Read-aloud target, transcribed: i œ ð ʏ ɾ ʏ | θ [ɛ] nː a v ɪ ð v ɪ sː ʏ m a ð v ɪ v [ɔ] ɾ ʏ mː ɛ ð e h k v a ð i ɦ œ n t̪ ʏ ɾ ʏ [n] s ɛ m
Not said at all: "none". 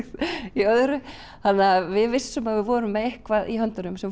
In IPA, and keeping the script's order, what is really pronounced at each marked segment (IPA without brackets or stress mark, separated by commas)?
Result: a, ɔː, m